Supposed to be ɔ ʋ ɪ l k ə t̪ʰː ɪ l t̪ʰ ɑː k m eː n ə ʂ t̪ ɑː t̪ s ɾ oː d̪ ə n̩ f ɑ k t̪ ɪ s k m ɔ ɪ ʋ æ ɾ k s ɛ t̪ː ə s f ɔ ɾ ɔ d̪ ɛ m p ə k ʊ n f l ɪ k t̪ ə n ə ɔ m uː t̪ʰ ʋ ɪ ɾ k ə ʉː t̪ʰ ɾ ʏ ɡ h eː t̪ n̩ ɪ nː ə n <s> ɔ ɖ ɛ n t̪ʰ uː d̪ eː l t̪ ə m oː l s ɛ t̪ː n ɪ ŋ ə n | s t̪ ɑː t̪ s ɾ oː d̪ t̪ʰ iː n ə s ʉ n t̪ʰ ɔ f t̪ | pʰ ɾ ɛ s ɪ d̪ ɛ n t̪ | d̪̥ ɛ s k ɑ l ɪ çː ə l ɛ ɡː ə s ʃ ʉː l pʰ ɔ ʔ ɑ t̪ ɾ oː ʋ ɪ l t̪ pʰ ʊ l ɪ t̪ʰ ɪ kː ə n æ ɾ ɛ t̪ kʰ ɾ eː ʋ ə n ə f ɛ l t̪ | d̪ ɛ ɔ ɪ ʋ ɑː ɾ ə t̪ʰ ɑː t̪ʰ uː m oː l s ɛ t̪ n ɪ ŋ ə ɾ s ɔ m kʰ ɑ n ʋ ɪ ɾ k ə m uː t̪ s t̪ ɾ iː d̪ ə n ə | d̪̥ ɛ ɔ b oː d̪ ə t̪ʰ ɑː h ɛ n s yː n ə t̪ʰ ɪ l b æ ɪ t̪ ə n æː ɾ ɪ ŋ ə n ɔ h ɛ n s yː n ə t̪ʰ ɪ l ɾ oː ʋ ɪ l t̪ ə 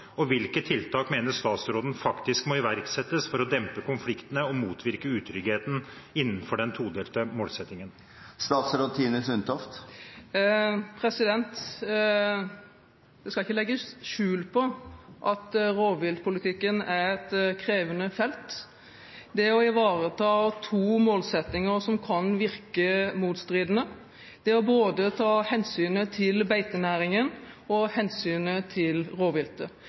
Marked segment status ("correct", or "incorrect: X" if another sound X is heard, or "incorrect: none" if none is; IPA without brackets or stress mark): incorrect: f